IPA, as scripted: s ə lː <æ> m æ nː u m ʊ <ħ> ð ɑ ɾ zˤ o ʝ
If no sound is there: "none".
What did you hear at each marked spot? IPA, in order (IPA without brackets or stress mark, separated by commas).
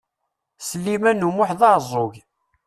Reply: i, ħ